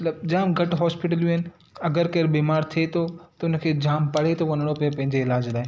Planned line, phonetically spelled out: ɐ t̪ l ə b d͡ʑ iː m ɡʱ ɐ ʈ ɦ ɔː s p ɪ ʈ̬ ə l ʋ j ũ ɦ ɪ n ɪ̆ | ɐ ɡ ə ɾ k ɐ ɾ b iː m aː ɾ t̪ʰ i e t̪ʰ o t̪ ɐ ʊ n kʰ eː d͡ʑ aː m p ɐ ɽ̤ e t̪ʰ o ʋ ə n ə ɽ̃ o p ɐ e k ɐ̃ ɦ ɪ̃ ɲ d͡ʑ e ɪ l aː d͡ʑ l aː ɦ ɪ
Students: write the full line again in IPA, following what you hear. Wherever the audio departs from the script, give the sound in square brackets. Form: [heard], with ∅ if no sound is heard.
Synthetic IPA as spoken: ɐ t̪ l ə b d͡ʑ [aː] m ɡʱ ɐ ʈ ɦ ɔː s p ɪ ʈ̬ ə l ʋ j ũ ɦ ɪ n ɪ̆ | ɐ ɡ ə ɾ k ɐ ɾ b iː m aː ɾ t̪ʰ i e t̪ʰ o t̪ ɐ ʊ n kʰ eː d͡ʑ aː m p ɐ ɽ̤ e t̪ʰ o ʋ [ɐ] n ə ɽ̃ o p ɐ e [p] ɐ̃ ɦ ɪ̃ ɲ d͡ʑ e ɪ l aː d͡ʑ l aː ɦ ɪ